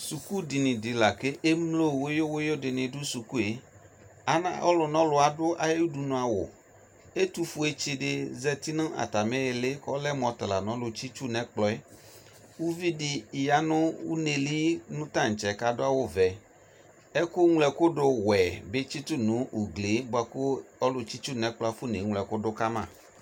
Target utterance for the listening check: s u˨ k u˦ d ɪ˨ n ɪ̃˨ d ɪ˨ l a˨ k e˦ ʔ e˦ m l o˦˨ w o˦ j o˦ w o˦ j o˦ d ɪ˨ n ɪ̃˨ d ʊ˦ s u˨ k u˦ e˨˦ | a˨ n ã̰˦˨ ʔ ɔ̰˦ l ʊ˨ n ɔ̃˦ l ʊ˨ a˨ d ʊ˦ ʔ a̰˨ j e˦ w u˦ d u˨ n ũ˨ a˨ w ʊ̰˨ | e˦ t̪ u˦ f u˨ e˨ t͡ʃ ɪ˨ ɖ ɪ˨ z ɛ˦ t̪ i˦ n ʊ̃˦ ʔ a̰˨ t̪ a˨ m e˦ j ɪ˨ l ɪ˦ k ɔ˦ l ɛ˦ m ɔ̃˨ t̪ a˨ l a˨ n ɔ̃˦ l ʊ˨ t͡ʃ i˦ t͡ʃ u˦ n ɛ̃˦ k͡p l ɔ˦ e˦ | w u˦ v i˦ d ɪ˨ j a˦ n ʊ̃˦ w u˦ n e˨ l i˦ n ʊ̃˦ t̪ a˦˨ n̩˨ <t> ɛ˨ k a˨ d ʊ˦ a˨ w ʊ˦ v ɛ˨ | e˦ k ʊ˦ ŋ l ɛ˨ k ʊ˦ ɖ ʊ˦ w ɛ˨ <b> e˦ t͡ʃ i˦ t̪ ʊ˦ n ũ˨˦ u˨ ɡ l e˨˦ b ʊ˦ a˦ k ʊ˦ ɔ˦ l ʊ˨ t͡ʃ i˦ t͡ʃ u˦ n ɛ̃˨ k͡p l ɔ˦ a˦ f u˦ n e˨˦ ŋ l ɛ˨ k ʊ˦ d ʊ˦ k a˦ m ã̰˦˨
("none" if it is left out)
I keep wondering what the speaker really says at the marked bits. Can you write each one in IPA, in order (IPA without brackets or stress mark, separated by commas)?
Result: t͡ʃ, b